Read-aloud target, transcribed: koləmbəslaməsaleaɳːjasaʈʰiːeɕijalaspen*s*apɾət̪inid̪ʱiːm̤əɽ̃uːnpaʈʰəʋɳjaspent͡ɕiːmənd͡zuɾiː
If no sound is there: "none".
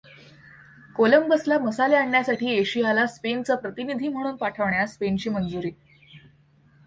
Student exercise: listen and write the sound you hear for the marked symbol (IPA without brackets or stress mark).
t͡s